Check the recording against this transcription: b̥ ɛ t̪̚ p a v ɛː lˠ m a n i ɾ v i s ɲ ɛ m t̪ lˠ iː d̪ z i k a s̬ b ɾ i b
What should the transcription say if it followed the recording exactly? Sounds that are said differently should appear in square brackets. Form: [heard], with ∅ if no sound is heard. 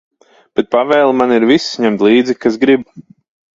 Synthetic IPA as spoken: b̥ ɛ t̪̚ p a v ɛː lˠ m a n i ɾ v i s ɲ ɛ m t̪ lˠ iː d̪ z i k a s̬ [ɡ] ɾ i b